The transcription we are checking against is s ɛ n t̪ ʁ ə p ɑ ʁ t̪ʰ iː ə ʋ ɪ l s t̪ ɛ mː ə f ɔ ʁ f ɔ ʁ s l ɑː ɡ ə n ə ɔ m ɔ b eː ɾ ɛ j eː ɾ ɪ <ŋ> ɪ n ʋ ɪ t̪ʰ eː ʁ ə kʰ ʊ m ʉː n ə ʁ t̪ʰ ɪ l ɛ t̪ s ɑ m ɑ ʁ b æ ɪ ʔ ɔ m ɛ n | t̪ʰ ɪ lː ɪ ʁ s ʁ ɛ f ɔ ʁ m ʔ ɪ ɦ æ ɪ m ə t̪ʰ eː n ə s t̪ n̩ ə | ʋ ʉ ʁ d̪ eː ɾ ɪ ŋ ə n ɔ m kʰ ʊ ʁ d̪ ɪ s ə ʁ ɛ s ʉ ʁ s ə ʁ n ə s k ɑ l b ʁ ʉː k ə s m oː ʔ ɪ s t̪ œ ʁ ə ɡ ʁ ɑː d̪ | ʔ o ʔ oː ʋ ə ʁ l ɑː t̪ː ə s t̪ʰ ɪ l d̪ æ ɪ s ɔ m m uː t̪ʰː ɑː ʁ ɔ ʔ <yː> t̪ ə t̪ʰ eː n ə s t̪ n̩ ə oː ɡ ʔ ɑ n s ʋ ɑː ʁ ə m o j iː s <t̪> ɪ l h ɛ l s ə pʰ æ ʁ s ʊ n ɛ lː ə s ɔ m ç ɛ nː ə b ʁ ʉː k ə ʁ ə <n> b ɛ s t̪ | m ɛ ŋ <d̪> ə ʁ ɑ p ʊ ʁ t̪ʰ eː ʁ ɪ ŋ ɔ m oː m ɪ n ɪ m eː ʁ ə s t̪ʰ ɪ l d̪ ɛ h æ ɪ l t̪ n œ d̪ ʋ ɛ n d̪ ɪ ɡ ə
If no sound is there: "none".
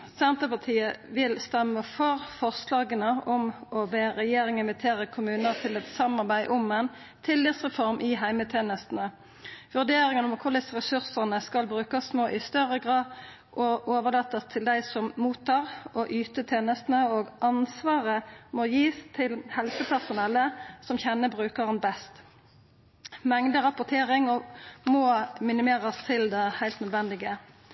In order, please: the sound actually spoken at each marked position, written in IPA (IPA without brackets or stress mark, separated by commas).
ŋ, yː, t̪ʰ, n, d̪